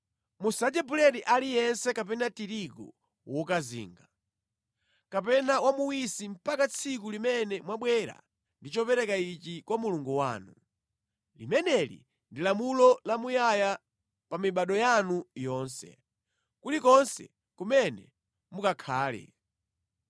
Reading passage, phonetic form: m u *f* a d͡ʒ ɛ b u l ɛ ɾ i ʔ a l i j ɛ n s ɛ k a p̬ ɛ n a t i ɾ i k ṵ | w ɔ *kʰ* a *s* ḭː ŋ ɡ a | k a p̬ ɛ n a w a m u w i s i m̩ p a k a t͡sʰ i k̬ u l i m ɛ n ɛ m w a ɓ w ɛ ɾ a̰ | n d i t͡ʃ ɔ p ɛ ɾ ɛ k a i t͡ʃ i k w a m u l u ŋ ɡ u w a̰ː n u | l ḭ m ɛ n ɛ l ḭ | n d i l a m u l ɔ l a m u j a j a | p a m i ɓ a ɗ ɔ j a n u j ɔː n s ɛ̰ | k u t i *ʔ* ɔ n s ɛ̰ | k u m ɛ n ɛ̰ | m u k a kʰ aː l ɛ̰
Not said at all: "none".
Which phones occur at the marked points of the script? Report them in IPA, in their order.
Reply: s, k, z, k

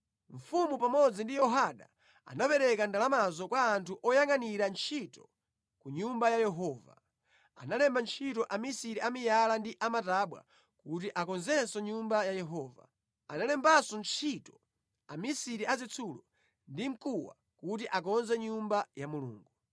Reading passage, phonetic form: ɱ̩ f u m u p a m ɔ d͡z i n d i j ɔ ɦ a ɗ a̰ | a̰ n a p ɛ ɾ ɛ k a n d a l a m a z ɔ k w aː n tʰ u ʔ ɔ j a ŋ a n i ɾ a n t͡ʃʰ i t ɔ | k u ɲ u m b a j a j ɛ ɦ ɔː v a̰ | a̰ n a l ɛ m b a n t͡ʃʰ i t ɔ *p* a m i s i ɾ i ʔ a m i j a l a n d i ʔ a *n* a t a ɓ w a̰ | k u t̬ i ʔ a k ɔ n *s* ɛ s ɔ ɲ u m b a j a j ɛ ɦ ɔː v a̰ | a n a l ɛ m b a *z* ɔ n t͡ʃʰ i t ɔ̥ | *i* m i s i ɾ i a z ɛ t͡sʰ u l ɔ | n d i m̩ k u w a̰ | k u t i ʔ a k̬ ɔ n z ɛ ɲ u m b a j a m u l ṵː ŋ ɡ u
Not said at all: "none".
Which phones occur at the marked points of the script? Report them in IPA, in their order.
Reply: ʔ, m, z, s, a

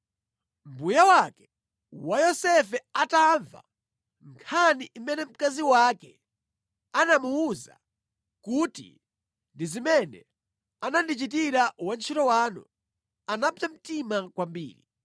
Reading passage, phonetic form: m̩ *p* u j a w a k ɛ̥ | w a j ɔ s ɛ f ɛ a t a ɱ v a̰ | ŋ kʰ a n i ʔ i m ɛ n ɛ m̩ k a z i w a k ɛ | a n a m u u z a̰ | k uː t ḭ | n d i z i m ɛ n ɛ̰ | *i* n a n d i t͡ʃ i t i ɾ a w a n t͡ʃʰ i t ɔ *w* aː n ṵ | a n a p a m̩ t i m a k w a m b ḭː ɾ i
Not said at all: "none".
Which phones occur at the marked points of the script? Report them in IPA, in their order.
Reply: b, a, w

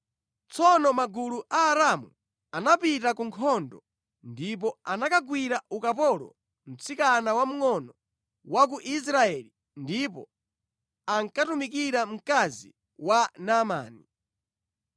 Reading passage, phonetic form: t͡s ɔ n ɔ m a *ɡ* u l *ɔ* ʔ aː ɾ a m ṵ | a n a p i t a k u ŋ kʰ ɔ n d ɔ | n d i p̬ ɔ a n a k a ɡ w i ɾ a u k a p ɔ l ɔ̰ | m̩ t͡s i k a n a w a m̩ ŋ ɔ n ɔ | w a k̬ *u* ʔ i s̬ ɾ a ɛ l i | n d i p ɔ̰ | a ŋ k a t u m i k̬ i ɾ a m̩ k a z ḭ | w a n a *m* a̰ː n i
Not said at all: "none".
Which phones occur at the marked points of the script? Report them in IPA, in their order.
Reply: ɡ, u, u, m

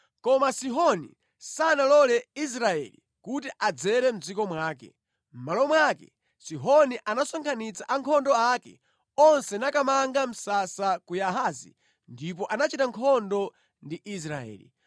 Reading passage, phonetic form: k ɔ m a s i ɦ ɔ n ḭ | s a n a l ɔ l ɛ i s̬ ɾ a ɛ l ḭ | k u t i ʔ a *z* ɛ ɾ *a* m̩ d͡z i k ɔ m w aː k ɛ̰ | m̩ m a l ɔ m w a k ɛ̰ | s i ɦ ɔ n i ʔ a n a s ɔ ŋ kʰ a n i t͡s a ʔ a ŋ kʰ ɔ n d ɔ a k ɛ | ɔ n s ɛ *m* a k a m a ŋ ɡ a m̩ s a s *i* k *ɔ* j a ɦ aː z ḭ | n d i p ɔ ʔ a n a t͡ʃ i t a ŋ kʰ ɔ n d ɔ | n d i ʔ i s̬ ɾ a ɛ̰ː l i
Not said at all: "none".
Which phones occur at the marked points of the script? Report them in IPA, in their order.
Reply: d͡z, ɛ, n, a, u

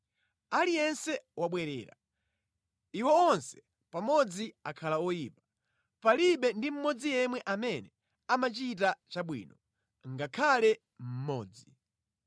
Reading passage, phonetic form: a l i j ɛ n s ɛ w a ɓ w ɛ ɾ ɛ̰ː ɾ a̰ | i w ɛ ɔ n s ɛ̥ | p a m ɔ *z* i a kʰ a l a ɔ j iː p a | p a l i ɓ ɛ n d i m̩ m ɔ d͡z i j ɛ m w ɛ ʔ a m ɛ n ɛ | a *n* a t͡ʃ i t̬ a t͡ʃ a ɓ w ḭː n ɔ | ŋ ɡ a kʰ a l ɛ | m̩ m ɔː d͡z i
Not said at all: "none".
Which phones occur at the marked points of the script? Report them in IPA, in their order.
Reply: d͡z, m

